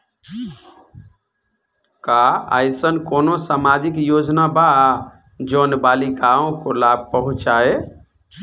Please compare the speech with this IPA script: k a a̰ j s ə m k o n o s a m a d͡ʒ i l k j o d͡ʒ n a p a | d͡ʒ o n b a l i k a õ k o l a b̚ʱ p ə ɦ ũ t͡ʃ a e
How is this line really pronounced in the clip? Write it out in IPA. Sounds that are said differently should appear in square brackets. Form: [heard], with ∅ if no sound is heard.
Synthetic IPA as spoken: k a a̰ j s ə [n] k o n o s a m a d͡ʒ i [∅] k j o d͡ʒ n a [b] a | d͡ʒ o n b a l i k a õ k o l a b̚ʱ p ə ɦ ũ t͡ʃ a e